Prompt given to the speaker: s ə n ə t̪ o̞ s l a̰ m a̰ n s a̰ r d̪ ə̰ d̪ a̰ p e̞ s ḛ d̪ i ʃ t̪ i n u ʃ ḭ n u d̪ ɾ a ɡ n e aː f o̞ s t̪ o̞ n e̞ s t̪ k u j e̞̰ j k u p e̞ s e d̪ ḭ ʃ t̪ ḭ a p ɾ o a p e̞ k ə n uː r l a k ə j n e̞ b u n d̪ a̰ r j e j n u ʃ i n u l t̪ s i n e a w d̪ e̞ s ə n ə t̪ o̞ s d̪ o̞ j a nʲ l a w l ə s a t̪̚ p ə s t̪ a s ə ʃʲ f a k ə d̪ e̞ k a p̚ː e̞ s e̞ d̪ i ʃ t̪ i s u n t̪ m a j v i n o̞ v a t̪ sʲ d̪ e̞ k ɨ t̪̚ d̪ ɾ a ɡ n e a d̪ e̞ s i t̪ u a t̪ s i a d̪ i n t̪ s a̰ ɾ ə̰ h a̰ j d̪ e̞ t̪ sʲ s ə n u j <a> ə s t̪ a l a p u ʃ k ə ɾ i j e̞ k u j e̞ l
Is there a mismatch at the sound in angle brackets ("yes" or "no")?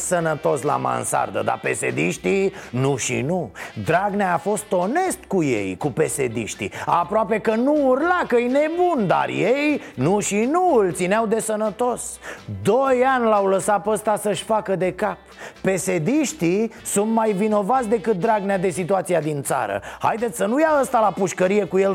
no